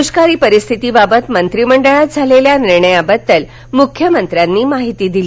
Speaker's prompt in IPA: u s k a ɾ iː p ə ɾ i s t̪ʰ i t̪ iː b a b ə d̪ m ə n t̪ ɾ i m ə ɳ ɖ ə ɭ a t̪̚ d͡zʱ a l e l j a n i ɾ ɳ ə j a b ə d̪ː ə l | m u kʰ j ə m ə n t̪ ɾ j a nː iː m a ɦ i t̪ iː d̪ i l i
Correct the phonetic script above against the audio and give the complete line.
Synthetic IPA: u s k a ɾ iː p ə ɾ i s t̪ʰ i t̪ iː b a b ə t̪ m ə n t̪ ɾ i m ə ɳ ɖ ə ɭ a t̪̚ d͡zʱ a l e l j a n i ɾ ɳ ə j a b ə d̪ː ə l | m u kʰ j ə m ə n t̪ ɾ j a nː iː m a ɦ i t̪ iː d̪ i l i

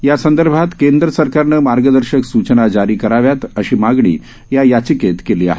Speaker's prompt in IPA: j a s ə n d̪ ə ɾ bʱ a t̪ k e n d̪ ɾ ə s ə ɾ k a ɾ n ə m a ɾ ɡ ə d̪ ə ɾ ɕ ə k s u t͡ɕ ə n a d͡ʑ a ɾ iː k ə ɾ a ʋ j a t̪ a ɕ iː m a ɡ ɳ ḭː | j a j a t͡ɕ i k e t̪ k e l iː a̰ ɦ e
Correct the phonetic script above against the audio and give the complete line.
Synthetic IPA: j a s ə n d̪ ə ɾ bʱ a t̪ k e n d̪ ɾ ə s ə ɾ k a ɾ n ə m a ɾ ɡ ə d̪ ə ɾ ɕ ə k s u t͡ɕ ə n a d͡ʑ a ɾ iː k ə ɾ a ʋ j a t̪ ə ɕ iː m a ɡ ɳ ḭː | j a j a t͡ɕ i k e t̪ k e l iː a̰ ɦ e

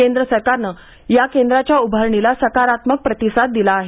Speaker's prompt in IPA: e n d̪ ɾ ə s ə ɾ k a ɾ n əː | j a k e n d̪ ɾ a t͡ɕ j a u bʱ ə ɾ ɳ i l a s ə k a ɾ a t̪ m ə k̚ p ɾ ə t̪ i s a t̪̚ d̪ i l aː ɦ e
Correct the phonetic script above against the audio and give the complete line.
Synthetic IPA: e n d̪ ɾ ə s ə ɾ k a ɾ n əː | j a k e n d̪ ɾ a t͡ɕ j a u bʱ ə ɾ ɳ i l a s ə k a ɾ a t̪ m ə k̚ p ɾ ə t̪ i s a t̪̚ d̪ i l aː ɦ e

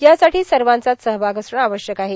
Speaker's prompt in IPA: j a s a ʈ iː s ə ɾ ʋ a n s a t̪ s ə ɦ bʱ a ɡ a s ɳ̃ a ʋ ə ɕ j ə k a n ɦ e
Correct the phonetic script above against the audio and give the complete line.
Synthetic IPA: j a s a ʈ iː s ə ɾ ʋ a n t͡s a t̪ s ə ɦ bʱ a ɡ ə s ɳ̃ a ʋ ə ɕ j ə k a ɦ e

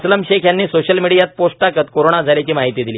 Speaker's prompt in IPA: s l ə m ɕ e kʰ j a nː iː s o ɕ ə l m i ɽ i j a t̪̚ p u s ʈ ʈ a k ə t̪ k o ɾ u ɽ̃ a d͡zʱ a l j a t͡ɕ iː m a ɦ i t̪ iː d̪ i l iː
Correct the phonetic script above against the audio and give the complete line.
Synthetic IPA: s l ə m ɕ e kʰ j a nː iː s o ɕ ə l m i ɽ i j a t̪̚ p o s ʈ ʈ a k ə t̪ k o ɾ o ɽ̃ a d͡zʱ a l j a t͡ɕ iː m a ɦ i t̪ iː d̪ i l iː

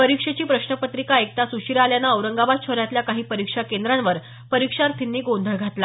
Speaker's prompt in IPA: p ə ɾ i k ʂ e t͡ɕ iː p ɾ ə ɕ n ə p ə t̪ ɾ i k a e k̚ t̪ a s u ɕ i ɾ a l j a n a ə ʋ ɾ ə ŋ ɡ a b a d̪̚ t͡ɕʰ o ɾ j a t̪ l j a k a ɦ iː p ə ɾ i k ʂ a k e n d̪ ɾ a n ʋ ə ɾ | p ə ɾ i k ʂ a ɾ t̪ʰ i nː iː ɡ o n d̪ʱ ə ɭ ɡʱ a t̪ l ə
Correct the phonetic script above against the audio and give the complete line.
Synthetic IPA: p ə ɾ i k ʂ e t͡ɕ iː p ɾ ə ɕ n ə p ə t̪ ɾ i k a e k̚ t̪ a s u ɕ i ɾ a l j a n a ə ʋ ɾ ə ŋ ɡ a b a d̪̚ t͡ɕʰ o ɾ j a t̪ l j a k a ɦ iː p ə ɾ i k ʂ a k e n d̪ ɾ a n ʋ ə ɾ | p ə ɾ i k ʂ a ɾ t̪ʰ i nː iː ɡ o n d̪ʱ ə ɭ ɡʱ a t̪ l a

